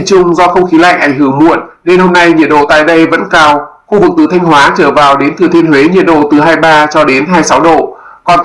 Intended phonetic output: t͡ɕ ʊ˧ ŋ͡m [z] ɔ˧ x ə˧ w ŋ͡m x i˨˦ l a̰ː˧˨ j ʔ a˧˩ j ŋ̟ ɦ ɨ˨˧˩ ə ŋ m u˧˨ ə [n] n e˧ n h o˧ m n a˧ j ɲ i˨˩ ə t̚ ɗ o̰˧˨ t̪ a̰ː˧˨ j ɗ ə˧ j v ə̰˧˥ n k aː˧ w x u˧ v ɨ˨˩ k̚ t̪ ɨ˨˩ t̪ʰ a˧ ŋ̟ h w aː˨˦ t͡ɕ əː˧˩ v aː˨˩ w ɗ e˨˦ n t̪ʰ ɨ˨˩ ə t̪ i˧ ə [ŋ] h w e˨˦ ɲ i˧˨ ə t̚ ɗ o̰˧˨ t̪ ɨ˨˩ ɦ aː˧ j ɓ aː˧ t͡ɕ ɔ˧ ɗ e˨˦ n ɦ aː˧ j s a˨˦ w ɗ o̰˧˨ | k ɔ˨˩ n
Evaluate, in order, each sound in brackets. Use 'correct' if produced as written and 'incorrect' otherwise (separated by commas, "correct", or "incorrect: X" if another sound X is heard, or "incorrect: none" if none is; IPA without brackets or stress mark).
correct, correct, incorrect: n